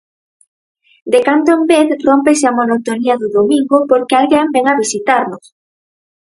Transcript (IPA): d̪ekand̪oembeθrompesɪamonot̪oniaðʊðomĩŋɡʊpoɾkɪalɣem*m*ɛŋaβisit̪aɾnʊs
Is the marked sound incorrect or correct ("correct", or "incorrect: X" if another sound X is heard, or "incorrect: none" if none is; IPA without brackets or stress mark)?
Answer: incorrect: b